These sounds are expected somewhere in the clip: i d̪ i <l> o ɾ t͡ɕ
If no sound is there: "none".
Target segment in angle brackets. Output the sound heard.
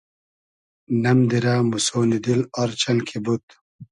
l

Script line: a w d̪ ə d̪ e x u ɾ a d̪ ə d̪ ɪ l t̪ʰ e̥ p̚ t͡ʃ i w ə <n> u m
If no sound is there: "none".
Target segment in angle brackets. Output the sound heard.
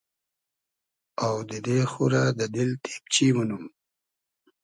n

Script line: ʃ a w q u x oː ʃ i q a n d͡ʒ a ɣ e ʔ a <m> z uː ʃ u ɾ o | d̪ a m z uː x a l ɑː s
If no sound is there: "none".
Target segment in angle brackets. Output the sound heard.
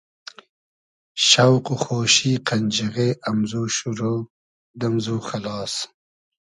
m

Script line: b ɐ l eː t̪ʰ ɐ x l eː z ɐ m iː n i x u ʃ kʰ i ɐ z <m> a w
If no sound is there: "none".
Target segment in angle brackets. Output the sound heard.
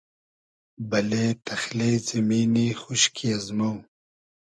m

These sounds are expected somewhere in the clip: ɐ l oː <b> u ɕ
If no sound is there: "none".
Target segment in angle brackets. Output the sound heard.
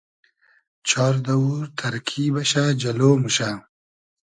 m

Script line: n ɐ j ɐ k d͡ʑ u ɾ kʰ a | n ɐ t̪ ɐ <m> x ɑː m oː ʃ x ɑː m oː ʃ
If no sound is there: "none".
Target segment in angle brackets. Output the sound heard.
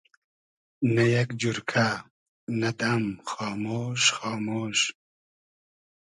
m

